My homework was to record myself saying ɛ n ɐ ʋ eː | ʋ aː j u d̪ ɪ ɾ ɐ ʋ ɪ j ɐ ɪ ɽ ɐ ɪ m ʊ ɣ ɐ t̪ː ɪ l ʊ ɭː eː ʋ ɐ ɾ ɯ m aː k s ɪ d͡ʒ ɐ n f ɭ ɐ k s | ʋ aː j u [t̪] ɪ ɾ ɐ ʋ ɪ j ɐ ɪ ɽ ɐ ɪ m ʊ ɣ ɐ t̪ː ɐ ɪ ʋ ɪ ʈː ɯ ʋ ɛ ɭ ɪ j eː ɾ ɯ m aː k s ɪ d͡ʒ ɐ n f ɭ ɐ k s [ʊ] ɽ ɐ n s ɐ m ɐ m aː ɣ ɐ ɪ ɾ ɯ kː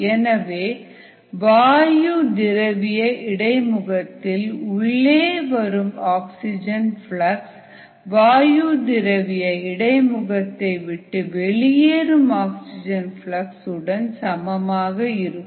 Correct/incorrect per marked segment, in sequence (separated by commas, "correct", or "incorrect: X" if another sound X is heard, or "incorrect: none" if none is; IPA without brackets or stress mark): incorrect: d̪, incorrect: ɯ